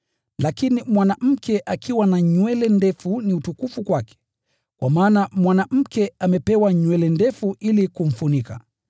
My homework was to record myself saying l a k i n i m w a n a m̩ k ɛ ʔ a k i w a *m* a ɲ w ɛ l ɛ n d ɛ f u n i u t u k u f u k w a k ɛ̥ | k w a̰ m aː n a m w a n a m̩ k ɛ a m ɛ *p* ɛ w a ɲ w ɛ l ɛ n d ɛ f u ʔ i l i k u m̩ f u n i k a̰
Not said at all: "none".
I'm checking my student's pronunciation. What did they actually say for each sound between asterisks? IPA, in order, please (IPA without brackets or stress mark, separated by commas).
n, p